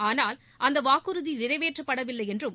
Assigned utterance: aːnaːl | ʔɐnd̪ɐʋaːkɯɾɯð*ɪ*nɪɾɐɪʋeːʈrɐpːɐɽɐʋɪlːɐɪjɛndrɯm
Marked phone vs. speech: incorrect: i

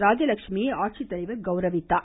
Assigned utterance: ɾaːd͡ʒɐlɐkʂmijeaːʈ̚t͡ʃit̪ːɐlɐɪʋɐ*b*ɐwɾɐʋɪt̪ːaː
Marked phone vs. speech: incorrect: ɡ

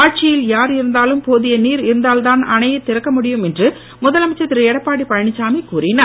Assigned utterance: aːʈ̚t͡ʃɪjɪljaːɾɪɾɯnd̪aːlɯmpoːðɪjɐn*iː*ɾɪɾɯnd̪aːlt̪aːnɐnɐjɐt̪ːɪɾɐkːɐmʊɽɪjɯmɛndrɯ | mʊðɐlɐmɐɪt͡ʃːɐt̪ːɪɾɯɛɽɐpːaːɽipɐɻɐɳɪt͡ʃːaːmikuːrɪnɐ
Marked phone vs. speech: correct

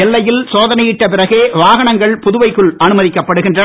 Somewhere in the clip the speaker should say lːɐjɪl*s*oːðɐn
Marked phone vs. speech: correct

